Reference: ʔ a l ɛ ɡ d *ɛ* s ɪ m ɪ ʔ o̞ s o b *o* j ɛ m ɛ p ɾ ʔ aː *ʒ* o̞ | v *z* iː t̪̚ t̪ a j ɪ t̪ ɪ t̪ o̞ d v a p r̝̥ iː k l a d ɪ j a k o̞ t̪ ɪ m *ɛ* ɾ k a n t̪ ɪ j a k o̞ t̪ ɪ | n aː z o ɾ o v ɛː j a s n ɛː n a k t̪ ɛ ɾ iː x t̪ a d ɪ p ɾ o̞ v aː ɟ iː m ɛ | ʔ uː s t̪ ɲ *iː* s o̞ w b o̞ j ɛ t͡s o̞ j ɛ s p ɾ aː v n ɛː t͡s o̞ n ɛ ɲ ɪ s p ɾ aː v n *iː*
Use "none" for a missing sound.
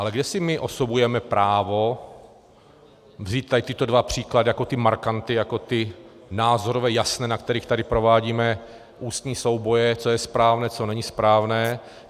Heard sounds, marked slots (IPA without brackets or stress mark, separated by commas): ɛ, u, v, z, a, iː, ɛː